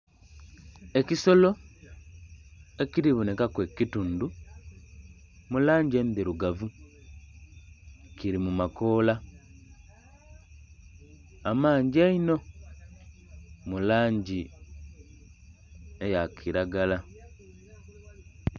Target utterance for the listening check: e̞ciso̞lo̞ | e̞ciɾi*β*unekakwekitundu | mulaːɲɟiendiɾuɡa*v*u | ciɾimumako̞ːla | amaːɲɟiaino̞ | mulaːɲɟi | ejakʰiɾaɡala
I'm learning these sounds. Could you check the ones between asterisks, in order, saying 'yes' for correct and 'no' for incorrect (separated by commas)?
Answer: yes, yes